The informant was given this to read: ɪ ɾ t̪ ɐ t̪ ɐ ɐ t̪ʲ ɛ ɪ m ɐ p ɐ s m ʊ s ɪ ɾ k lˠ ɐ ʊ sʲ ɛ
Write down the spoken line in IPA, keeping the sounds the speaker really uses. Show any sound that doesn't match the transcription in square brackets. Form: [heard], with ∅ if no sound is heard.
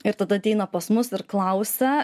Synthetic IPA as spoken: ɪ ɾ t̪ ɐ [d̪] ɐ ɐ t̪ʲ ɛ ɪ [n] ɐ p ɐ s m ʊ s ɪ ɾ k lˠ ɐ ʊ sʲ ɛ